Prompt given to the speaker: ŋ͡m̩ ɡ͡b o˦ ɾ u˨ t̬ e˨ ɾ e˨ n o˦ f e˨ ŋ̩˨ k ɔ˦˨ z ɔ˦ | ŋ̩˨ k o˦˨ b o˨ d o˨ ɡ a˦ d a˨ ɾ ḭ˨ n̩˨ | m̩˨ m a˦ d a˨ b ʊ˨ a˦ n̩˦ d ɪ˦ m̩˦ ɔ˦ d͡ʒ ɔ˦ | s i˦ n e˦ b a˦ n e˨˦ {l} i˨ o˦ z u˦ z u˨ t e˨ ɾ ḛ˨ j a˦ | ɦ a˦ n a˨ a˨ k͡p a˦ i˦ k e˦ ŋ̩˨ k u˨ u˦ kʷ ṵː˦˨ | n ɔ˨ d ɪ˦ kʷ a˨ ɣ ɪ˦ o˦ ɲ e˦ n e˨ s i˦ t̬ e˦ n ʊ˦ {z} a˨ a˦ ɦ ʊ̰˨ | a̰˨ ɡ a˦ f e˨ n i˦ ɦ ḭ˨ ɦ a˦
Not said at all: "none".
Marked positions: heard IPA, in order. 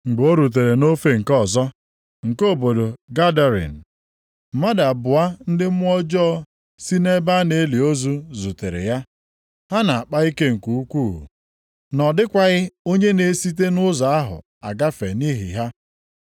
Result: l, z

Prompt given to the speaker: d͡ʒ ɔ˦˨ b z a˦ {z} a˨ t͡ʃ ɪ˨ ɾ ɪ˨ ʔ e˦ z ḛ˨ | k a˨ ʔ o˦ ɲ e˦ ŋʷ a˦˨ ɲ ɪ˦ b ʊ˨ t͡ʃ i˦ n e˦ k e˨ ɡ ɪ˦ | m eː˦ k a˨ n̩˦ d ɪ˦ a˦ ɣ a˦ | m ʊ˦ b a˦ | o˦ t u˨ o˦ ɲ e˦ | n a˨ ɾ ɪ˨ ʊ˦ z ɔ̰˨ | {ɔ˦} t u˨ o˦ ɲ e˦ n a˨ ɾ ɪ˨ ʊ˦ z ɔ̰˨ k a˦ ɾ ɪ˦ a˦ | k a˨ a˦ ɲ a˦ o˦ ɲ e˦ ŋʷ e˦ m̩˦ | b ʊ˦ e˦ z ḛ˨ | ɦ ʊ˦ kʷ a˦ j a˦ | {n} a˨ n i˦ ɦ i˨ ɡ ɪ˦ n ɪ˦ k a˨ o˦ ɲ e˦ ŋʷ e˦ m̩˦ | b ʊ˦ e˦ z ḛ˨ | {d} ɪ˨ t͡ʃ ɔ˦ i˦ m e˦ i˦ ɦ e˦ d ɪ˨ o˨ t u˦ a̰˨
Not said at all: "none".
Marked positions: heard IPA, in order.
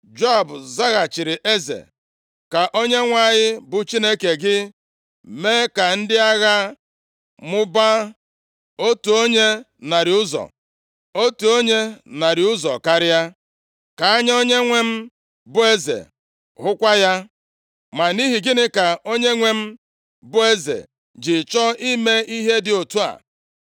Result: ɣ, o˦, m, d͡ʒ

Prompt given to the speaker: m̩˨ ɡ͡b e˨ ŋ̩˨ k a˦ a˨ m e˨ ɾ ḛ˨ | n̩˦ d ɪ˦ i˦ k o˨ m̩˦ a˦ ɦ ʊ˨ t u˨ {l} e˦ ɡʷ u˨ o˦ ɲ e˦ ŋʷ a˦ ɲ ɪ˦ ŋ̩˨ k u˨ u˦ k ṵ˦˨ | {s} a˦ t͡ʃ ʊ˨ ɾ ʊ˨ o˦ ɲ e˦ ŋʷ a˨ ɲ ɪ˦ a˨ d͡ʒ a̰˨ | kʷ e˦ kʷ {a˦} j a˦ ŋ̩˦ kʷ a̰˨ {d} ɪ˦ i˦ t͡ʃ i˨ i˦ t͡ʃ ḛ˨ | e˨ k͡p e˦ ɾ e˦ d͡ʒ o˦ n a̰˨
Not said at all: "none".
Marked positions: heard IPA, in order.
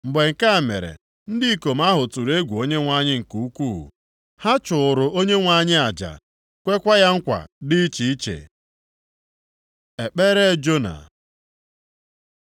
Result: ɾ, h, a˦, d

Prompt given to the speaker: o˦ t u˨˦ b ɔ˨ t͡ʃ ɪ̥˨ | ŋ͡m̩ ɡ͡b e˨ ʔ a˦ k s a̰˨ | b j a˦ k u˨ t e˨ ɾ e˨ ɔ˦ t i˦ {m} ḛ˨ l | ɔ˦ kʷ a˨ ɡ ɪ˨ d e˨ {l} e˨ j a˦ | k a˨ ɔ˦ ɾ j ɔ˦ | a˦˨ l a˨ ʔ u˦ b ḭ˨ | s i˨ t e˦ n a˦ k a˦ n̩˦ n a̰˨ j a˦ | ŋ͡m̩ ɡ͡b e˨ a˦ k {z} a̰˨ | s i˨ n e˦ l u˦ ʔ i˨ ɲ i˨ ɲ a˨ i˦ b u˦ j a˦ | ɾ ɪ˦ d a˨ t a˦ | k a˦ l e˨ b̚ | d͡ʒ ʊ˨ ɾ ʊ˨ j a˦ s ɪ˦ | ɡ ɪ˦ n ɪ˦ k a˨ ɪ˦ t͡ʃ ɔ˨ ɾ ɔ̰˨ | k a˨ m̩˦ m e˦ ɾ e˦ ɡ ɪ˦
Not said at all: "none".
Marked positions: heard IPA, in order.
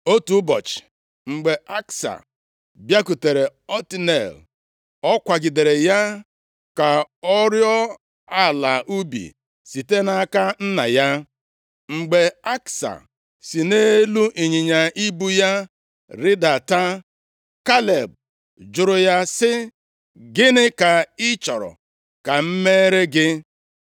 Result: n, ɾ, s

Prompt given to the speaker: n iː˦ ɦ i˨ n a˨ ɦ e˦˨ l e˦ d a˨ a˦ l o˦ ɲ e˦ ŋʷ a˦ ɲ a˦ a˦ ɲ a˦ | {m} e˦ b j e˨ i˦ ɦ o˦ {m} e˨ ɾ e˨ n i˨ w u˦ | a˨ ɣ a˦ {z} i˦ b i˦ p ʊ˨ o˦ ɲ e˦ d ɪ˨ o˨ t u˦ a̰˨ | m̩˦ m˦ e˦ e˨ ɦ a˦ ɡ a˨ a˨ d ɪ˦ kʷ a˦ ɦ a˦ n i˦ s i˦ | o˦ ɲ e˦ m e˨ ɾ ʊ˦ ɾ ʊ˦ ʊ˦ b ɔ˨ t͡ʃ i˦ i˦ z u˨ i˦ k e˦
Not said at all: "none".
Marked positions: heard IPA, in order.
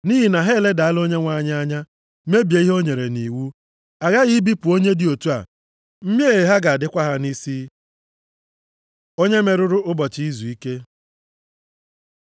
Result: m, ɲ, ɣ

